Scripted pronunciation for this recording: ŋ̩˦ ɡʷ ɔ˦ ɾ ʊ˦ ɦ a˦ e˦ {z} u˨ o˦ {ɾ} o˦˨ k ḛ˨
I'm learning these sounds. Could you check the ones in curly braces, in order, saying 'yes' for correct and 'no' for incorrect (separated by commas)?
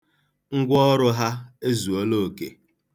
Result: yes, no